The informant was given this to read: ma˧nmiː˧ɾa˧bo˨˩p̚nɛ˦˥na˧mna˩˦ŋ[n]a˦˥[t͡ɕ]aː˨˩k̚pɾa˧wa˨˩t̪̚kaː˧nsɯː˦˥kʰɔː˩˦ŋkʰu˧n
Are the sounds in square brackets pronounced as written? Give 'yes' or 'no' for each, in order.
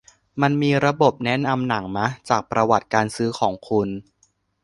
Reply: no, yes

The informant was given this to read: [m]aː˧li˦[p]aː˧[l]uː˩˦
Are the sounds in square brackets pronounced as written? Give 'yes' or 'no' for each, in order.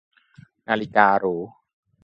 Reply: no, no, no

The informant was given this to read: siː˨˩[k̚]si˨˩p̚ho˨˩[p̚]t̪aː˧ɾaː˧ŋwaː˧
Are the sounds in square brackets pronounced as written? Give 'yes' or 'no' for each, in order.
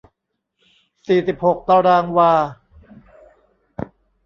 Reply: no, no

